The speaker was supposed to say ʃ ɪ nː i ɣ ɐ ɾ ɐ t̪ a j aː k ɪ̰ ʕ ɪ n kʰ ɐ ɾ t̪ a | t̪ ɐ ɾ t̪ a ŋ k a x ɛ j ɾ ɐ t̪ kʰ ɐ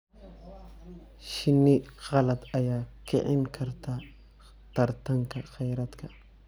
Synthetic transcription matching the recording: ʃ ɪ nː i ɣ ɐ l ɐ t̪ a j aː k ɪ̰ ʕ ɪ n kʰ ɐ ɾ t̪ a | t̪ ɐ ɾ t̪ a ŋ k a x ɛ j ɾ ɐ t̪ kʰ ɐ